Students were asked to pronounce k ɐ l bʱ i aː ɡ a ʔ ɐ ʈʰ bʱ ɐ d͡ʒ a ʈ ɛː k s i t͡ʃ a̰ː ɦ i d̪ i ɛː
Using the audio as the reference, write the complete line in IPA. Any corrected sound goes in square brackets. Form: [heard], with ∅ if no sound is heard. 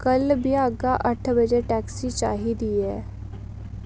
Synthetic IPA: k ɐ l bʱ i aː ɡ a ʔ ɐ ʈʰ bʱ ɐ d͡ʒ [e] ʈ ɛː k s i t͡ʃ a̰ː ɦ i d̪ i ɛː

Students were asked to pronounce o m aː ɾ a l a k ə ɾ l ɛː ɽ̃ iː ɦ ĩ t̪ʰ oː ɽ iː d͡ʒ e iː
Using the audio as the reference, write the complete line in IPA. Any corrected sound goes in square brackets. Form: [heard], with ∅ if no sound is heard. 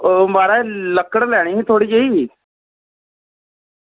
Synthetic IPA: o m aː ɾ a l [ə] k ə [ɽ] l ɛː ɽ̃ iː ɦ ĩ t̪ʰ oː ɽ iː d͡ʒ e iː

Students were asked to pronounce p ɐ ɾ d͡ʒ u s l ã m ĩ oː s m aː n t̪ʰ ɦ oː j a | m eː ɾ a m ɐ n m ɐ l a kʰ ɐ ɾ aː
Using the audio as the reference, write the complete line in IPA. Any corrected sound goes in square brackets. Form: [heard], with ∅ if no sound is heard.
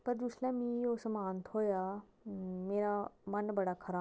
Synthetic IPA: p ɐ ɾ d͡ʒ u s l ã m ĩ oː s m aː n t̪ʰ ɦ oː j a | m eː ɾ a m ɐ n [b] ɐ [ɽ] a kʰ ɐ ɾ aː

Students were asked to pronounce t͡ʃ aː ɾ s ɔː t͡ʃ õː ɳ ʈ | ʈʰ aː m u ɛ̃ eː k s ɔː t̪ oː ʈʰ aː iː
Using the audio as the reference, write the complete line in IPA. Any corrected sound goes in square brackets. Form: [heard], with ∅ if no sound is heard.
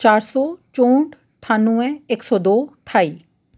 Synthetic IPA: t͡ʃ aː ɾ s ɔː t͡ʃ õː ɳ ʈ | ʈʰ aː [n] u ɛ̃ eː k s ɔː [d̪] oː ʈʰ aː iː

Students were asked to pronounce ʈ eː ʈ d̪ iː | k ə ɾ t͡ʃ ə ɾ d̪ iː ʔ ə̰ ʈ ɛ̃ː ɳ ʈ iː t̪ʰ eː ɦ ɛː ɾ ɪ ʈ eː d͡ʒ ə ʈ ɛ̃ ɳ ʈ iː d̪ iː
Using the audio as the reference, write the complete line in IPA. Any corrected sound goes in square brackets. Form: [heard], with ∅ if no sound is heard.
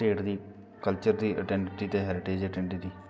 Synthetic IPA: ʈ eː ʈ d̪ iː | k ə [l] t͡ʃ ə ɾ d̪ iː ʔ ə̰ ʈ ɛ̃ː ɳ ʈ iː [t̪] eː ɦ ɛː ɾ ɪ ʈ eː d͡ʒ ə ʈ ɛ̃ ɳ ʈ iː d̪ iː

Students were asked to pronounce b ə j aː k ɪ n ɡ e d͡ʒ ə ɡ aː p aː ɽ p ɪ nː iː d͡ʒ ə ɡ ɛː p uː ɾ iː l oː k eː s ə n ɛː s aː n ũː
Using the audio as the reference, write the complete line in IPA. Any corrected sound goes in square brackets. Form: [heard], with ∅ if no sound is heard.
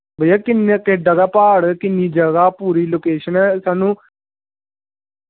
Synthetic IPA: b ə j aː k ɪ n [k] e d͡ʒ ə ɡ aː p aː ɽ [k] ɪ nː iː d͡ʒ ə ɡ [aː] p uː ɾ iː l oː k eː [ʃ] ə n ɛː s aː n ũː

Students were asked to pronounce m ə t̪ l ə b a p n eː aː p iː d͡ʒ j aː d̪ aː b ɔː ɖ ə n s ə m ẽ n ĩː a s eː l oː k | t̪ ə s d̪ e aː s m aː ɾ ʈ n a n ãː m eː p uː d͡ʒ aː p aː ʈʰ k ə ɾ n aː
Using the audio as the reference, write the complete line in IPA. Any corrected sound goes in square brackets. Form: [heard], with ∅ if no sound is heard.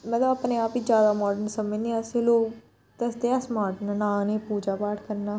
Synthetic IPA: m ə t̪ l ə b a p n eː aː p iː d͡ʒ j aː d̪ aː [m] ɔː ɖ ə n s ə m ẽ n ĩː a s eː l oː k | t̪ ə s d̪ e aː s m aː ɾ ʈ n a n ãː [n] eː p uː d͡ʒ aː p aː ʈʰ k ə ɾ n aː

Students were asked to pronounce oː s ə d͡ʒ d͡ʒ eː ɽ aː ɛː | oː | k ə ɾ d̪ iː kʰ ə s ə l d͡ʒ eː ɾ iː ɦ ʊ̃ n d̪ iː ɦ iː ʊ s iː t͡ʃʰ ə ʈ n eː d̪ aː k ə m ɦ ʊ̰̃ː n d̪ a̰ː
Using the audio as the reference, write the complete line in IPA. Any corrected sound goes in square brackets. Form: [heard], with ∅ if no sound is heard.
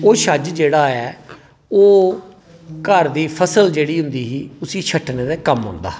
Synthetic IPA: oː [ʃ] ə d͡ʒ d͡ʒ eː ɽ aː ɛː | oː | k ə ɾ d̪ iː [pʰ] ə s ə l d͡ʒ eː [ɽ] iː ɦ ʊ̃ n d̪ iː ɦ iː ʊ s iː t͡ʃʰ ə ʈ n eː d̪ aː k ə m ɦ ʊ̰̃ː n d̪ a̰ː

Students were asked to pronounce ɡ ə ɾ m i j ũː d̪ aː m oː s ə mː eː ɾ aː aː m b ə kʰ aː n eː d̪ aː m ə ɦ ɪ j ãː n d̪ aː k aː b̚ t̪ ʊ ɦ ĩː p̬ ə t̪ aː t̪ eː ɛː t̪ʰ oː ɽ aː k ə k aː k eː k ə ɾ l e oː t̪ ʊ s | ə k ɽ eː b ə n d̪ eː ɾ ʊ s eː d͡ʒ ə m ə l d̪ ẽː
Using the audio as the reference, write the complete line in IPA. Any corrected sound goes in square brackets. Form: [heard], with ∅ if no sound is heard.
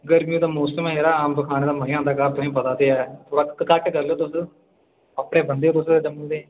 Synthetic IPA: ɡ ə ɾ m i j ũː d̪ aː m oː s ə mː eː ɾ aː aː m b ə kʰ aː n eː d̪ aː m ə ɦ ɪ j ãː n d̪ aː k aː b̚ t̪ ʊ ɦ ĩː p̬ ə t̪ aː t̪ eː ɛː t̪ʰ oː ɽ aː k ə k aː k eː k ə ɾ l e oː t̪ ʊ s | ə [p] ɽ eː b ə n d̪ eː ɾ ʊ s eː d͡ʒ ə m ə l d̪ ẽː

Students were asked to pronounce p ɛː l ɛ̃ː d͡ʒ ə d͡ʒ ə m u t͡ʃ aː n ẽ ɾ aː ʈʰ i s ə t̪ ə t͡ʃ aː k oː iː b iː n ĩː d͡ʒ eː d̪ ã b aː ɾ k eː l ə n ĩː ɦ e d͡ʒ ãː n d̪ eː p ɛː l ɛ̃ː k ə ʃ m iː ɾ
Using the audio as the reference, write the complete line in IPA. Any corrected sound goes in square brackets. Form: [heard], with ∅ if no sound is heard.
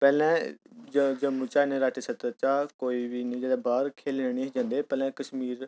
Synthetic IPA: p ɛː l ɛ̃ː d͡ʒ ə d͡ʒ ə m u t͡ʃ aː n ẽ ɾ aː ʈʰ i s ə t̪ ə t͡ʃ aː k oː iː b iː n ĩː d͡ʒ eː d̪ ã b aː ɾ [kʰ] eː l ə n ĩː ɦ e d͡ʒ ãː n d̪ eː p ɛː l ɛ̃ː k ə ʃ m iː ɾ

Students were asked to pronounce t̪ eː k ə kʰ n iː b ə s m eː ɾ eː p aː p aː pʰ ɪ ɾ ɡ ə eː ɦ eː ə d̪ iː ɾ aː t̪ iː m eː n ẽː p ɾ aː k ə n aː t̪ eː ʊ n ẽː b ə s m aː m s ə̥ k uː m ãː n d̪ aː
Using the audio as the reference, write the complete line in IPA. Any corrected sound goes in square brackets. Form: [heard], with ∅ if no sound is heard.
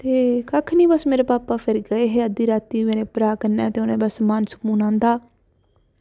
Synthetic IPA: t̪ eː k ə kʰ n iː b ə s m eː ɾ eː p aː p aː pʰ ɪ ɾ ɡ ə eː ɦ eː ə d̪ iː ɾ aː t̪ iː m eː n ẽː p ɾ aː k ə n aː t̪ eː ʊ n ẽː b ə s m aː [n] s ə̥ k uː [n] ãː n d̪ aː

